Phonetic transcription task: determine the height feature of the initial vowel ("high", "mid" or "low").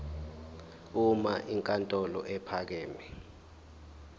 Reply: high